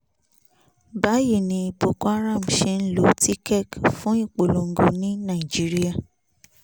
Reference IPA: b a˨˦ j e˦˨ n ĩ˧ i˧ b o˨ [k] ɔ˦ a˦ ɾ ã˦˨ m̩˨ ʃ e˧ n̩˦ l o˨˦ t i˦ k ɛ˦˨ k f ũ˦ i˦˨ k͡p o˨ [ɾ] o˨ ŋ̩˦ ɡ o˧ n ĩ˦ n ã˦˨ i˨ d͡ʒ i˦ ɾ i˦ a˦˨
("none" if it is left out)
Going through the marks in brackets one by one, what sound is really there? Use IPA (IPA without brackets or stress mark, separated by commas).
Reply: k, l